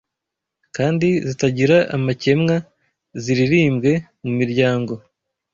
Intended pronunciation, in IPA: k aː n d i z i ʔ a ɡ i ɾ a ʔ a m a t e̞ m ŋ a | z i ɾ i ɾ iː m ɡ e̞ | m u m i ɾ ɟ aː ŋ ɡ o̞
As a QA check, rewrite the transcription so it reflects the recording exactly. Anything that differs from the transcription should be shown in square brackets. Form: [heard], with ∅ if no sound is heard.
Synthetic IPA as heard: k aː n d i z i [t] a [ɟ] i ɾ a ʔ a m a [c] e̞ m ŋ a | z i ɾ i ɾ iː m ɡ e̞ | m u m i ɾ ɟ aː ŋ ɡ o̞